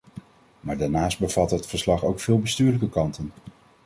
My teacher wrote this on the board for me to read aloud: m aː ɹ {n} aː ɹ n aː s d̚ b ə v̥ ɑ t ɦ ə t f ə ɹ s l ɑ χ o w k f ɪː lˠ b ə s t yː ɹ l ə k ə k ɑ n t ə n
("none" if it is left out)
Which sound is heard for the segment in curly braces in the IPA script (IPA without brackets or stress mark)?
d